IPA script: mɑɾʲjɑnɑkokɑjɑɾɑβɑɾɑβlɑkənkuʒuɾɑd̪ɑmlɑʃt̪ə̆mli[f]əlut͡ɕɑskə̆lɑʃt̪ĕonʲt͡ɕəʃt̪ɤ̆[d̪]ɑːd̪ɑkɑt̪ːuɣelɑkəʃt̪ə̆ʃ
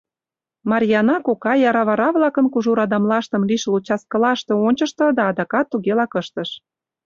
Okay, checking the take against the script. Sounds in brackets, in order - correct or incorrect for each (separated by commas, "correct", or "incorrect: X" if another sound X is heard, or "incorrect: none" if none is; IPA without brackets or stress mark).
incorrect: ʃ, correct